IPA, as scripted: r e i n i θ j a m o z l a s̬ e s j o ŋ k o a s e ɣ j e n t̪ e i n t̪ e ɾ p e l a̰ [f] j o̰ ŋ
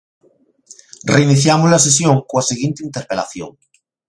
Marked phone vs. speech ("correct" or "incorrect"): incorrect